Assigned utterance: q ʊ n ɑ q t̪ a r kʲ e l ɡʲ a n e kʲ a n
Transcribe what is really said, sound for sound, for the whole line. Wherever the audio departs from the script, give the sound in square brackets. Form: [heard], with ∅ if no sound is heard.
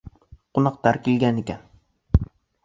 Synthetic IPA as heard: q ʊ n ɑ q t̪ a [ɾ] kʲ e l ɡʲ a n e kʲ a n